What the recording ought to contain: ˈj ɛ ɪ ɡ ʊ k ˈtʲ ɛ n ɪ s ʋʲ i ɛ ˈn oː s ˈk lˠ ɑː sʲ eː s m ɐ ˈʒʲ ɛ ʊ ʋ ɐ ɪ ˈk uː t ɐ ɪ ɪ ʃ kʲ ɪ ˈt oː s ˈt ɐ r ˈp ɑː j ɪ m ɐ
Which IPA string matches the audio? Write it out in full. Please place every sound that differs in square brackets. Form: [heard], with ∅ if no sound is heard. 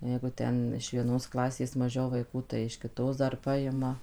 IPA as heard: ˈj ɛ ɪ ɡ ʊ [∅] ˈtʲ ɛ n ɪ [ʃ] ʋʲ i ɛ ˈn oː s ˈk lˠ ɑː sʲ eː s m ɐ ˈʒʲ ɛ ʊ ʋ ɐ ɪ ˈk uː t ɐ ɪ ɪ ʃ kʲ ɪ ˈt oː s [ˈd] ɐ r ˈp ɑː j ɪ m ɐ